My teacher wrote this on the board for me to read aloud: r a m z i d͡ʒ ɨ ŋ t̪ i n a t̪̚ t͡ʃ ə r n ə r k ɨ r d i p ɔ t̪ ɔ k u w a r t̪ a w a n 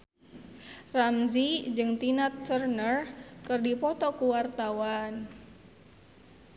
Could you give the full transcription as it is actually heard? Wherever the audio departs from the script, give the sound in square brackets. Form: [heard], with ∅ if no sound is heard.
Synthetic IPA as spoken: r a m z i d͡ʒ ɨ ŋ t̪ i n a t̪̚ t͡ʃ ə r n ə r k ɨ r d i p ɔ t̪ ɔ k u w a r t̪ a w a n